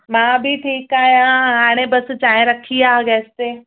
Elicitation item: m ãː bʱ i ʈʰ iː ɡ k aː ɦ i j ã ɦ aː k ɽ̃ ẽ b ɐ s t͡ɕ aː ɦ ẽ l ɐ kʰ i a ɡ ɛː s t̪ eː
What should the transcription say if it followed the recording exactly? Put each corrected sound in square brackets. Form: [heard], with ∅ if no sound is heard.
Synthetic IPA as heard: m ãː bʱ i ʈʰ iː [∅] k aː ɦ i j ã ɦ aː [∅] ɽ̃ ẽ b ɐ s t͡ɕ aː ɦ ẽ [ɾ] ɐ kʰ i a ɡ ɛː s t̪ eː